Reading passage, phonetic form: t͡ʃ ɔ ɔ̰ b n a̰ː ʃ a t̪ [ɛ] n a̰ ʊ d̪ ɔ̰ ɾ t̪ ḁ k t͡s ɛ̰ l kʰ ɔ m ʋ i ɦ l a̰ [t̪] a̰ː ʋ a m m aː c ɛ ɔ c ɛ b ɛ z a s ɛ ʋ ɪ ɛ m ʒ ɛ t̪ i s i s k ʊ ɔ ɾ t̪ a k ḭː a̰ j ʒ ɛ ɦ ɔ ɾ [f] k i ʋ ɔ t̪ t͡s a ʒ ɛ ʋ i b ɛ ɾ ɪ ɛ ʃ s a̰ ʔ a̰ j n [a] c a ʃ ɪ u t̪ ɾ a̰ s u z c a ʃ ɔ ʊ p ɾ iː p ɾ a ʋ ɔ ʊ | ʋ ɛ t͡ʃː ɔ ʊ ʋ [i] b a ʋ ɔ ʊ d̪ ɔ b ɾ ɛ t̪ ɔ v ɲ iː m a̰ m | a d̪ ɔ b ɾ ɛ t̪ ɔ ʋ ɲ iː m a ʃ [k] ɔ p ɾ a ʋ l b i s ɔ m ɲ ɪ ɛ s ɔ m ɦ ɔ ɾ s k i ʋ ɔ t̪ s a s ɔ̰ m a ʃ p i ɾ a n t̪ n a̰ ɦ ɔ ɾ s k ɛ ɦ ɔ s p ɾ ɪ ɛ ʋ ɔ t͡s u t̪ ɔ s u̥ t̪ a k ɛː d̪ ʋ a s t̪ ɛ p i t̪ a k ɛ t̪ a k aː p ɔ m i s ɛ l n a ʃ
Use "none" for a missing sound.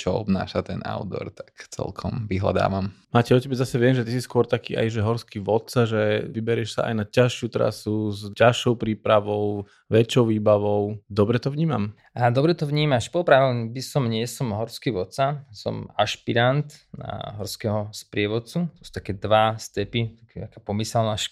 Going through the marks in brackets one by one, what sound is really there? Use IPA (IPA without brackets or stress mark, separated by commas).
ɛ, d̪, s, a, iː, p